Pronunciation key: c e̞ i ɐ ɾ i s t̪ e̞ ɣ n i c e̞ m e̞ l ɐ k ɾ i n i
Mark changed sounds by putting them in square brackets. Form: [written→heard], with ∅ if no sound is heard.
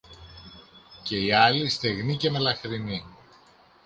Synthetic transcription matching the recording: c e̞ i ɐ [ɾ→l] i s t̪ e̞ ɣ n i c e̞ m e̞ l ɐ [k→x] ɾ i n i